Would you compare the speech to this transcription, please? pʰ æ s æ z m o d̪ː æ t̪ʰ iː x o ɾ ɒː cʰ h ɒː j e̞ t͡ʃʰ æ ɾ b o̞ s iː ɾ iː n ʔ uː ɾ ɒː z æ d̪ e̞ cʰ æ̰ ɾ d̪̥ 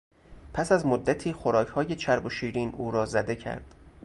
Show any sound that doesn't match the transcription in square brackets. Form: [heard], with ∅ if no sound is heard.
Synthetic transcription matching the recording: pʰ æ s æ z m o d̪ː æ t̪ʰ iː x o ɾ ɒː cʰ h ɒː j e̞ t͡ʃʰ æ ɾ b o̞ [ʃ] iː ɾ iː n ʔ uː ɾ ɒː z æ d̪ e̞ cʰ æ̰ ɾ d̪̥